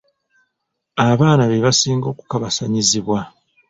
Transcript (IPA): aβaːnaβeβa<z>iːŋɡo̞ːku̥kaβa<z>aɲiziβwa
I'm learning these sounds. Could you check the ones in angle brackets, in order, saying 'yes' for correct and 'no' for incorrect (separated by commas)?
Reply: no, no